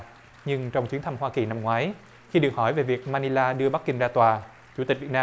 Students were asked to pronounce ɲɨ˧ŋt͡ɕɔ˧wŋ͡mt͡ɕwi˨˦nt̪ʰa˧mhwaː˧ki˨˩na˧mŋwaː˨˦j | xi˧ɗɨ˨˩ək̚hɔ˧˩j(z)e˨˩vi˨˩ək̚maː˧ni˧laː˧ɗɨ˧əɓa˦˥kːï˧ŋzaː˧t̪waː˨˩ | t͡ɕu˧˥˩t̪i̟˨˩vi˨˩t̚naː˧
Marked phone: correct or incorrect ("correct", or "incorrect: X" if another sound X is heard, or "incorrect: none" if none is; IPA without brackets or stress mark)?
incorrect: v